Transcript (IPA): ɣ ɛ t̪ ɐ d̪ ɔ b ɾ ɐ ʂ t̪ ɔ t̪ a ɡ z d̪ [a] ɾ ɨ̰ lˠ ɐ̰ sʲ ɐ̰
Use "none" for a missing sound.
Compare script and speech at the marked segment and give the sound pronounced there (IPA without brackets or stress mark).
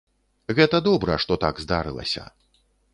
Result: a